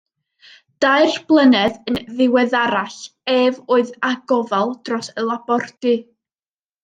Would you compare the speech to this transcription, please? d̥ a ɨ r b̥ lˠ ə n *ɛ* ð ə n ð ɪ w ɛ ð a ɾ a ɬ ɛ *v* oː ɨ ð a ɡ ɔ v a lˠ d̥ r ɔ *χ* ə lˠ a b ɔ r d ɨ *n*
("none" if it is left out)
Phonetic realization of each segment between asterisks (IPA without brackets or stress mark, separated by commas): ɛ, v, s, none